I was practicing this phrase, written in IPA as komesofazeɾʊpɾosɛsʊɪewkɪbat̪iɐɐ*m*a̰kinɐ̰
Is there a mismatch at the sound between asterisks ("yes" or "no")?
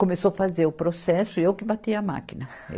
no